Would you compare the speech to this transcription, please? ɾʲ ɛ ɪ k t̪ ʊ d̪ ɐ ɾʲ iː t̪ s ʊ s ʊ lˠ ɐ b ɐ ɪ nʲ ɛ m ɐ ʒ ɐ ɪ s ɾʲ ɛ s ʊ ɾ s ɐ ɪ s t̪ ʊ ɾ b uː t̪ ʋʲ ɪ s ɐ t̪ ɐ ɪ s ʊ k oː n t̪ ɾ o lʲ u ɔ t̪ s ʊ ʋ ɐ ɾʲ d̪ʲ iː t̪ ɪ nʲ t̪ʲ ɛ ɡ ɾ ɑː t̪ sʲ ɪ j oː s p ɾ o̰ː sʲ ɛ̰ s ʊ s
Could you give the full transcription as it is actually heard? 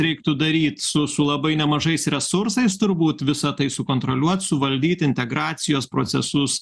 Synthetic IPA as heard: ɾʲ ɛ ɪ k t̪ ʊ d̪ ɐ ɾʲ iː t̪ s ʊ s ʊ lˠ ɐ b ɐ ɪ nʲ ɛ m ɐ ʒ ɐ ɪ s ɾʲ ɛ s ʊ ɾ s ɐ ɪ s t̪ ʊ ɾ b uː t̪ ʋʲ ɪ s ɐ t̪ ɐ ɪ s ʊ k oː n t̪ ɾ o lʲ u ɔ t̪ s ʊ ʋ ɐ lʲ d̪ʲ iː t̪ ɪ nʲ t̪ʲ ɛ ɡ ɾ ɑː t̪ sʲ ɪ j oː s p ɾ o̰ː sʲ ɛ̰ s ʊ s

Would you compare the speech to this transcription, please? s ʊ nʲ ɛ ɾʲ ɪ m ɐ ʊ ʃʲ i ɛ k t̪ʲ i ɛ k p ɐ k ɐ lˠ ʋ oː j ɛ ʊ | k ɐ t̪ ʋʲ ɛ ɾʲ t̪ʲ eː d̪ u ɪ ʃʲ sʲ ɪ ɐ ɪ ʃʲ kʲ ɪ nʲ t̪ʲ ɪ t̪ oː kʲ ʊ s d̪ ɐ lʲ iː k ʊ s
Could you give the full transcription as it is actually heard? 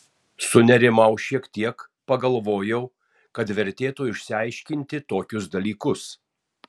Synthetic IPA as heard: s ʊ nʲ ɛ ɾʲ ɪ m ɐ ʊ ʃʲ i ɛ k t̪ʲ i ɛ k p ɐ ɡ ɐ lˠ ʋ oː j ɛ ʊ | k ɐ t̪ ʋʲ ɛ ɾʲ t̪ʲ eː t̪ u ɪ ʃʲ sʲ ɪ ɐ ɪ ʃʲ kʲ ɪ nʲ t̪ʲ ɪ t̪ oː kʲ ʊ s d̪ ɐ lʲ iː k ʊ s

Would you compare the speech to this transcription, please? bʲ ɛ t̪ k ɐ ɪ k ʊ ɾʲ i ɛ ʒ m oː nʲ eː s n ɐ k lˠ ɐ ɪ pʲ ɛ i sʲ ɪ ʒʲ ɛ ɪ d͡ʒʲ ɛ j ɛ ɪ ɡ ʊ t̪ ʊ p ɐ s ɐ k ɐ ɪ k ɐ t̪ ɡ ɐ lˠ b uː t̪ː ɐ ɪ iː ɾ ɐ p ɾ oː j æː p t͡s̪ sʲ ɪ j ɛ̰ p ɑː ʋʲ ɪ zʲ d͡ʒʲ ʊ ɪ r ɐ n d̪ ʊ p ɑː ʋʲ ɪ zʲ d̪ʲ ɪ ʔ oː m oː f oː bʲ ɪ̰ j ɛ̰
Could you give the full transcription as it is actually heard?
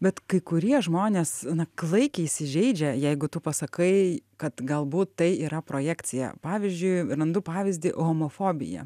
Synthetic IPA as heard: bʲ ɛ t̪ k ɐ ɪ k ʊ ɾʲ i ɛ ʒ m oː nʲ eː s n ɐ k lˠ ɐ ɪ kʲ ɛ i sʲ ɪ ʒʲ ɛ ɪ d͡ʒʲ ɛ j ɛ ɪ ɡ ʊ t̪ ʊ p ɐ s ɐ k ɐ ɪ k ɐ t̪ ɡ ɐ lˠ b uː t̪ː ɐ ɪ iː ɾ ɐ p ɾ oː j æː k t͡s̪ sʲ ɪ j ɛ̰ p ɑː ʋʲ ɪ zʲ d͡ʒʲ ʊ ɪ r ɐ n d̪ ʊ p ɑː ʋʲ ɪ zʲ d̪ʲ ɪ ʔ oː m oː f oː bʲ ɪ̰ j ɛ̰

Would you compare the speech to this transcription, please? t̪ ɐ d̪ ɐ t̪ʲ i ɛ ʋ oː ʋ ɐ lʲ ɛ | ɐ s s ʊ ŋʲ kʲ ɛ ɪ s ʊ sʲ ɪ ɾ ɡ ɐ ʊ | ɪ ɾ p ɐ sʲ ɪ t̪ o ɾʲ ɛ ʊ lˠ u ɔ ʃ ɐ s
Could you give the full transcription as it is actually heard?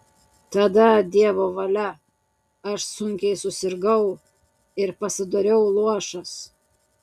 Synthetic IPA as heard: t̪ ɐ d̪ ɐ d̪ʲ i ɛ ʋ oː ʋ ɐ lʲ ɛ | ɐ ʃ s ʊ ŋʲ kʲ ɛ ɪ s ʊ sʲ ɪ ɾ ɡ ɐ ʊ | ɪ ɾ p ɐ sʲ ɪ d̪ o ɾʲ ɛ ʊ lˠ u ɔ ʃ ɐ s

